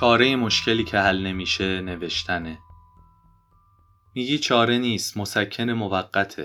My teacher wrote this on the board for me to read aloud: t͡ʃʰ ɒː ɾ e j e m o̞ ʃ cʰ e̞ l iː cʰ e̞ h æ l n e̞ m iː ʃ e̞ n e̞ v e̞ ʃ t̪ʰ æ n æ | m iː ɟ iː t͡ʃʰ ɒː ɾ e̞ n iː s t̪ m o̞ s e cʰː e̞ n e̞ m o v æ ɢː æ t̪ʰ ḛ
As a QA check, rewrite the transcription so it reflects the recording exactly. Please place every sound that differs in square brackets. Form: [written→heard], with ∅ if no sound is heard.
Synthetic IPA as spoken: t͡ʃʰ ɒː ɾ e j e m o̞ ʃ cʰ e̞ l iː cʰ e̞ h æ l n e̞ m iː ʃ e̞ n e̞ v e̞ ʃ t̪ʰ æ n [æ→e] | m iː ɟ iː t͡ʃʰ ɒː ɾ e̞ n iː s t̪ m o̞ s [e→æ] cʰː e̞ n e̞ m o v æ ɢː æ t̪ʰ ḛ